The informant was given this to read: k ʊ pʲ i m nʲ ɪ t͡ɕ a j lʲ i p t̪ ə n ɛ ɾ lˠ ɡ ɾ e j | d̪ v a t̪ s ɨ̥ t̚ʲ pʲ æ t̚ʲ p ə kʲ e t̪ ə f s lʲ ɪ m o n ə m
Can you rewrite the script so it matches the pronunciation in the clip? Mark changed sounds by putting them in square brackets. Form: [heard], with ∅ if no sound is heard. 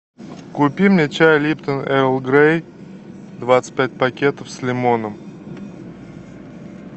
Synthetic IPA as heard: k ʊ pʲ i m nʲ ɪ t͡ɕ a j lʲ i p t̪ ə n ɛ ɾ lˠ ɡ ɾ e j | d̪ v a t̪ s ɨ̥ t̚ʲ pʲ æ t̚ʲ p [ɐ] kʲ e t̪ ə f s lʲ ɪ m o n ə m

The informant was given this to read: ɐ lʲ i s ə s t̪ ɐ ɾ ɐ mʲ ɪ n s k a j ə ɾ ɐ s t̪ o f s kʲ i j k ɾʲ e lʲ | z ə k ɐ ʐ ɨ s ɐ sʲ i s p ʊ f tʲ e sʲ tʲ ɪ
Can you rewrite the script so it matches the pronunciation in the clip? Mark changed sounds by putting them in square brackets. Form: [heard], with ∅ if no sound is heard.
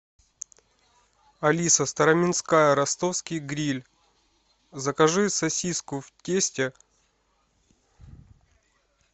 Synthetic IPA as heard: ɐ lʲ i s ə s t̪ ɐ ɾ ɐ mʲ ɪ n s k a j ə ɾ ɐ s t̪ o f s kʲ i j [ɡ] ɾʲ [i] lʲ | z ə k ɐ ʐ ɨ s ɐ sʲ i s [k] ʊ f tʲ e sʲ tʲ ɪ

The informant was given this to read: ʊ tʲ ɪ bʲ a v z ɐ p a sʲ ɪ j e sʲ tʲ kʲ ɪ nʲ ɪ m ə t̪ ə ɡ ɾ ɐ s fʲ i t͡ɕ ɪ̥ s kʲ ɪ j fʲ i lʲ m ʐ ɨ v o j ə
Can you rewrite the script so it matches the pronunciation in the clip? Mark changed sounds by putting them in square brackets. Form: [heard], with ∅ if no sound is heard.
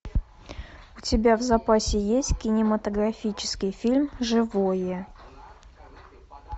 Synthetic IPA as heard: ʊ tʲ ɪ bʲ a v z ɐ p a sʲ ɪ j e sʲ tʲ kʲ ɪ nʲ ɪ m ə t̪ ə ɡ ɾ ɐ [∅] fʲ i t͡ɕ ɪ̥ s kʲ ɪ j fʲ i lʲ m ʐ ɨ v o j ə

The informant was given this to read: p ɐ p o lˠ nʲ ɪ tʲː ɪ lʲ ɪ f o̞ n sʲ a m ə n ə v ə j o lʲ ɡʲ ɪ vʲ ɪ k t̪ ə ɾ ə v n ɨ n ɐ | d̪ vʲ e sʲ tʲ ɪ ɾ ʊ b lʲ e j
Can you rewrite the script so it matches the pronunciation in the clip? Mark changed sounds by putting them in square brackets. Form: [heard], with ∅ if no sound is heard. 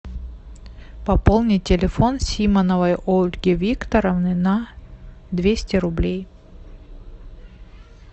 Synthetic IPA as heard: p ɐ p o lˠ nʲ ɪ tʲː ɪ lʲ ɪ f o̞ n sʲ [i] m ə n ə v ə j o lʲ ɡʲ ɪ vʲ [i] k t̪ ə ɾ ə v n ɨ n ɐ | d̪ vʲ e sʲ tʲ ɪ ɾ ʊ b lʲ e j

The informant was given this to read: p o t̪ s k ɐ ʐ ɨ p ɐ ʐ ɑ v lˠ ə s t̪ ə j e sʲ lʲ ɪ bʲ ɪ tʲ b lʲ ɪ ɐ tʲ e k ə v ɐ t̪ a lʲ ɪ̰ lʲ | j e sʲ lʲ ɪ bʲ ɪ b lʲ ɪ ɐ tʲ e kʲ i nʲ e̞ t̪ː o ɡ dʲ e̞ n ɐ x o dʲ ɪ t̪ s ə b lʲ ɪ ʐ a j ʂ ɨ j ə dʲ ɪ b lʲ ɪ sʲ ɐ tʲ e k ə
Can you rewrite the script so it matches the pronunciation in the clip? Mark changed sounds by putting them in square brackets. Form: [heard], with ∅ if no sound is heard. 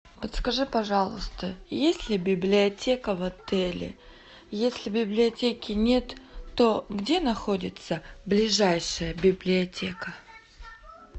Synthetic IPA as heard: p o t̪ s k ɐ ʐ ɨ p ɐ ʐ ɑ [∅] lˠ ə s t̪ ə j e sʲ lʲ ɪ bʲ ɪ [∅] b lʲ ɪ ɐ tʲ e k ə v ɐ t̪ [ɛ] lʲ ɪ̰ [∅] | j e sʲ lʲ ɪ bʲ ɪ b lʲ ɪ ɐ tʲ e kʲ [ɪ] nʲ e̞ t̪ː o ɡ dʲ e̞ n ɐ x o dʲ ɪ t̪ s ə b lʲ ɪ ʐ a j ʂ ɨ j ə [bʲ] ɪ b lʲ ɪ [∅] ɐ tʲ e k ə

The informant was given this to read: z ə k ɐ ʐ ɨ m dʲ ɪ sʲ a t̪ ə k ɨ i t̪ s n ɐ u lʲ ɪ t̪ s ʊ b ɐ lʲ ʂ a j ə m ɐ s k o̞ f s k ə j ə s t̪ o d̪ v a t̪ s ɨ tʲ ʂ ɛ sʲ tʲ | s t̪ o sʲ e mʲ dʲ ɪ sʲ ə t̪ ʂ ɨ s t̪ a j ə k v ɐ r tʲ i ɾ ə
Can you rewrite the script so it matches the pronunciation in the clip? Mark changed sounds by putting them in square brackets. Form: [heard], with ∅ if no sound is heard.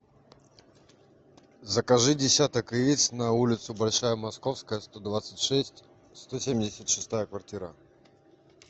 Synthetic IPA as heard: z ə k ɐ ʐ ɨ [∅] dʲ ɪ sʲ a t̪ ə k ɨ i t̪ s n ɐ u lʲ ɪ t̪ s ʊ b ɐ lʲ ʂ a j ə m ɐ s k o̞ f s k ə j ə s t̪ o d̪ v a t̪ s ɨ tʲ ʂ ɛ sʲ tʲ | s t̪ o sʲ e mʲ dʲ ɪ sʲ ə t̪ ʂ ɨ s t̪ a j ə k v ɐ r tʲ i ɾ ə

